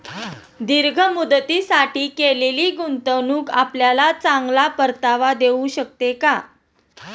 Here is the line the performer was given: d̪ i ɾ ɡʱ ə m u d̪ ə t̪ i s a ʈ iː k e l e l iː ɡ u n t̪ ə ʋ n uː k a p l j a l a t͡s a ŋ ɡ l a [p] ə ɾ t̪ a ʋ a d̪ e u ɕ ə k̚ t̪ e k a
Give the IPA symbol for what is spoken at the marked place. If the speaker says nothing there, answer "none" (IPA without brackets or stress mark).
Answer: p